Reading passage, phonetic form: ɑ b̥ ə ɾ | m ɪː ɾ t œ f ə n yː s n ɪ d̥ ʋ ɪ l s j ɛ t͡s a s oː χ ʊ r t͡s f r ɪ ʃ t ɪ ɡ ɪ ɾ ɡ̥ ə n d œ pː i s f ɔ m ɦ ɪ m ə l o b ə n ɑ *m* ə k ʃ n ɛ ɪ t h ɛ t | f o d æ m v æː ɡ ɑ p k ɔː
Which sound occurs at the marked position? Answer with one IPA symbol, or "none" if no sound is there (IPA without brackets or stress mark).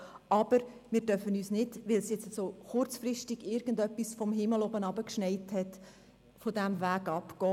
b